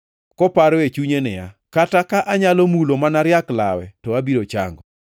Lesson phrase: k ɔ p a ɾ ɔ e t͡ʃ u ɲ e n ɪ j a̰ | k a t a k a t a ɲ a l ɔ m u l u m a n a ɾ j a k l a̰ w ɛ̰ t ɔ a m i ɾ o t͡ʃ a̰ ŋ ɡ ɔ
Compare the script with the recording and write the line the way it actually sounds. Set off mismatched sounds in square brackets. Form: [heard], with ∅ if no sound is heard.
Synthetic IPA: k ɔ p a ɾ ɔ e t͡ʃ u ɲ e n ɪ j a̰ | k a t a k a [ʔ] a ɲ a l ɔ m u l [o] m a n a ɾ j a k l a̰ w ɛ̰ t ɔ a [b] i ɾ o t͡ʃ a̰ ŋ ɡ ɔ